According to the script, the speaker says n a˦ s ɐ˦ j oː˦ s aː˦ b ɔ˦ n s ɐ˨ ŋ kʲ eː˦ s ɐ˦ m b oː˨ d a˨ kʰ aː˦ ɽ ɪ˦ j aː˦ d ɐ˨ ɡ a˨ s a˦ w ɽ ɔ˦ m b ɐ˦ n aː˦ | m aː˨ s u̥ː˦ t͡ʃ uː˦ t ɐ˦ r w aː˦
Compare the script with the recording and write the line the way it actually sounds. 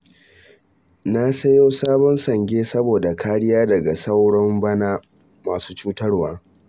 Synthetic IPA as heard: n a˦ s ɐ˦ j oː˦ s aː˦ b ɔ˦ n s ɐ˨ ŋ ɡʲ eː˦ s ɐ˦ b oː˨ d a˨ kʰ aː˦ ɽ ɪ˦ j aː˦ d ɐ˨ ɡ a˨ s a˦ w ɽ ɔ˦ m b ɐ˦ n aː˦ | m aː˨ s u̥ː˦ t͡ʃ uː˦ t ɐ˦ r w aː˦